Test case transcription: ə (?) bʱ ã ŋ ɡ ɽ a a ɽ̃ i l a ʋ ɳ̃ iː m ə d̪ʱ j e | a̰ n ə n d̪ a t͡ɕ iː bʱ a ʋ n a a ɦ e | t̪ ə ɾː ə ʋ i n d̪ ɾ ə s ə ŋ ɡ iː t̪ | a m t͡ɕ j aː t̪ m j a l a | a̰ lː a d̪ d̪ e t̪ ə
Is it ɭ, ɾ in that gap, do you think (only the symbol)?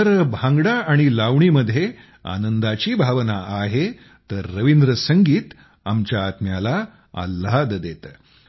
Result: ɾ